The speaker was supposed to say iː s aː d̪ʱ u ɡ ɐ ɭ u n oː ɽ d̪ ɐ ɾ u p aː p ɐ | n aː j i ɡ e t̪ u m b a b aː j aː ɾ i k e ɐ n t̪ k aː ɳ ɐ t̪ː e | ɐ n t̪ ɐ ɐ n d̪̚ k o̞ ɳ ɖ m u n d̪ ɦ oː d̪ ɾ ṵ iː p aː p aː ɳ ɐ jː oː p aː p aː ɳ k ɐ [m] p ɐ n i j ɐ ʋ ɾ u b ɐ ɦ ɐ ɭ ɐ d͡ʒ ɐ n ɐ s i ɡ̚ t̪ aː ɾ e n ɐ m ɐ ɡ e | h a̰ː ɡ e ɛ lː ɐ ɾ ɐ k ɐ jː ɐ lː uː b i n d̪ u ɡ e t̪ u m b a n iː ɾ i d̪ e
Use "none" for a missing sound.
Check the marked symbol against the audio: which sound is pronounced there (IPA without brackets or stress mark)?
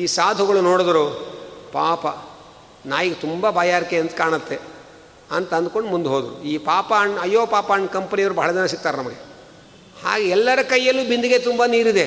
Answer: m